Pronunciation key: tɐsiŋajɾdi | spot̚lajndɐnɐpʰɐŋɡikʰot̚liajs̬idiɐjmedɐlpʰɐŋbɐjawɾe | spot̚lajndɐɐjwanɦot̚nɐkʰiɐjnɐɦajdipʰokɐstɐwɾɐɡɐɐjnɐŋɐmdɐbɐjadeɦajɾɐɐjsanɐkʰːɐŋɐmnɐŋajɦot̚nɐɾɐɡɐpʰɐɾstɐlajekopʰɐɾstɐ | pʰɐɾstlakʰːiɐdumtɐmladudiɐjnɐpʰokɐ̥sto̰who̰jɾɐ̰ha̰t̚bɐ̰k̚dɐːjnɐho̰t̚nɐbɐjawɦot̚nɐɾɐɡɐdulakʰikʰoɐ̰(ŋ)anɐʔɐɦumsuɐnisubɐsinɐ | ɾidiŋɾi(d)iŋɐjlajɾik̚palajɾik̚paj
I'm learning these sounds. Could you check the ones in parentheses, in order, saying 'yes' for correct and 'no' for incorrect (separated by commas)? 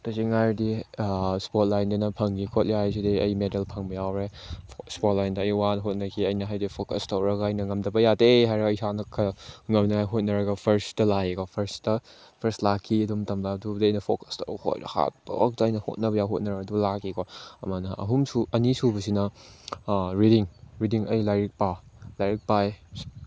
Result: no, yes